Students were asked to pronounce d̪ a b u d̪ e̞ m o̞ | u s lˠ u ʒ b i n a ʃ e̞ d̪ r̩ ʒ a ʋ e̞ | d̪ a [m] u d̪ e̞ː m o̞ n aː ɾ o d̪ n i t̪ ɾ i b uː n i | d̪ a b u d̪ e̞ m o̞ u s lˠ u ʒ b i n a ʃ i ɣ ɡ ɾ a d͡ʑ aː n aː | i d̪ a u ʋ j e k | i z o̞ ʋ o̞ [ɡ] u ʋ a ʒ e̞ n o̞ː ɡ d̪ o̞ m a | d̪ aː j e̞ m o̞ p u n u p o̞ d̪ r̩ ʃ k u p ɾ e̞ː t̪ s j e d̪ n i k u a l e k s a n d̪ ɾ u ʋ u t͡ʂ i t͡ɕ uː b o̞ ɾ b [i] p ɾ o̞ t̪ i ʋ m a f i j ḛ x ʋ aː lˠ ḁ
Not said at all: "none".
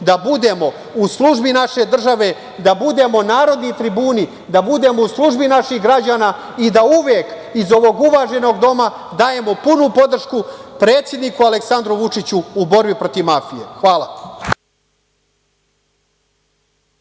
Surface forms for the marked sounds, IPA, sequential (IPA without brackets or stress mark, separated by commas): b, ɡ, i